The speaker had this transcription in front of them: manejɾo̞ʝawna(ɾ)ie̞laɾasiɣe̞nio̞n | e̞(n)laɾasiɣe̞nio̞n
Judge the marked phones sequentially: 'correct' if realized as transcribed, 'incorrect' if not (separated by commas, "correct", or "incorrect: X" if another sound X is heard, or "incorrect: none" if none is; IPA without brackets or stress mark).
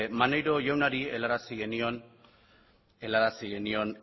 correct, incorrect: none